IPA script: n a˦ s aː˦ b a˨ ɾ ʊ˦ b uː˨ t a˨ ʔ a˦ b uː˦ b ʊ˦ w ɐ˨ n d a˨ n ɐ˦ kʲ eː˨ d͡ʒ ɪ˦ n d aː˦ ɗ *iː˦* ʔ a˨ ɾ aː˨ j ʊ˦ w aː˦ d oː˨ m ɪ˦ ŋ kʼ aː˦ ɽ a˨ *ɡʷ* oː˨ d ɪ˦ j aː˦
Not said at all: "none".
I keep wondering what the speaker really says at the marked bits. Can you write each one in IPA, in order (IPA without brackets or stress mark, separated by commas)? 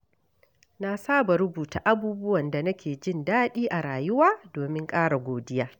iː˦, ɡʷ